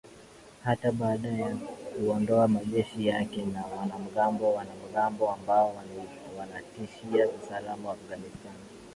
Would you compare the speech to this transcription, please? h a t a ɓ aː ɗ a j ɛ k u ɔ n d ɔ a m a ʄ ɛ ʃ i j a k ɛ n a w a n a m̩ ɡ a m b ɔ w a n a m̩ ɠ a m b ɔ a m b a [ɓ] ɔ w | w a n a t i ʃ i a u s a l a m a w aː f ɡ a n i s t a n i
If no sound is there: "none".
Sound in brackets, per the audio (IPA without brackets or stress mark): none